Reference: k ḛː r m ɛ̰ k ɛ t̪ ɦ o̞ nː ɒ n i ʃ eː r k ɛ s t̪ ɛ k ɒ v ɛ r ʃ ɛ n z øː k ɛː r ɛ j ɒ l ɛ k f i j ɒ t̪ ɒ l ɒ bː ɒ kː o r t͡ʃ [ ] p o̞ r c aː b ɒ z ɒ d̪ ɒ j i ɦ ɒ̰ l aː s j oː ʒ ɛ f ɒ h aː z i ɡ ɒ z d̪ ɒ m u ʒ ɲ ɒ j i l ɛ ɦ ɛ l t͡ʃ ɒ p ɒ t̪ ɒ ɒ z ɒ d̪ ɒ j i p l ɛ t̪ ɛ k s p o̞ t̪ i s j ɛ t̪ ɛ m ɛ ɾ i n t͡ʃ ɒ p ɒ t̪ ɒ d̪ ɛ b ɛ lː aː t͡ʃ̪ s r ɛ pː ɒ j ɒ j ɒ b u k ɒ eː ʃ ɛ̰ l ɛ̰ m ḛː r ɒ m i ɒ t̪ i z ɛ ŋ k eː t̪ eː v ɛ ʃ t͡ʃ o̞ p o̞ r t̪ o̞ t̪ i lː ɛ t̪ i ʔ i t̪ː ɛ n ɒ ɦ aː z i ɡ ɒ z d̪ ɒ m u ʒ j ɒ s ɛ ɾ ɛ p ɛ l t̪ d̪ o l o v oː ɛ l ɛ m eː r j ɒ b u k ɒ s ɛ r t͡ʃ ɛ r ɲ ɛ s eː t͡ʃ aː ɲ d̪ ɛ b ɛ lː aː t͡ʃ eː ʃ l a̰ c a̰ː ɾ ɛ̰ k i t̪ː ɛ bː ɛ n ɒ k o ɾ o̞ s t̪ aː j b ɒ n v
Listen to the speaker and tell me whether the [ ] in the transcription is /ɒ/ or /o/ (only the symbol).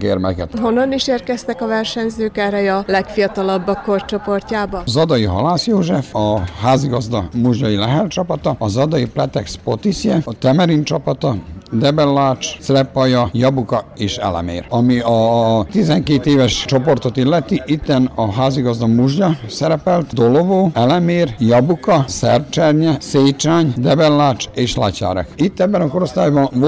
o